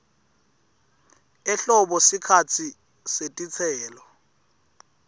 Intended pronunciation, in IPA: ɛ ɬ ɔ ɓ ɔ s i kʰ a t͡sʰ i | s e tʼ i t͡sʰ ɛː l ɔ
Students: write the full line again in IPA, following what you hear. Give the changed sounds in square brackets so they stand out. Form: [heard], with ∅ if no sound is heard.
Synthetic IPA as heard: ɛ ɬ ɔ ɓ ɔ s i kʰ a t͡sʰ i | s e tʼ i t͡sʰ ɛː l ɔ